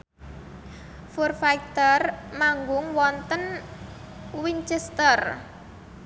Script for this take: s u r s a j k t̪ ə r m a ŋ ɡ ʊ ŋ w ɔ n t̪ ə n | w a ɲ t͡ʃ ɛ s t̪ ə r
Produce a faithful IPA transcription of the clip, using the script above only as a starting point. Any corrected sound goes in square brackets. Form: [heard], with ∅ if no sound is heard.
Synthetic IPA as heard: [f] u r [f] a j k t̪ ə r m a ŋ ɡ ʊ ŋ w ɔ n t̪ ə n | w [i] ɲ t͡ʃ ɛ s t̪ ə r